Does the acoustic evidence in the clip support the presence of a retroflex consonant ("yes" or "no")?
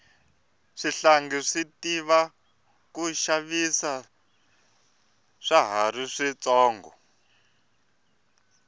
yes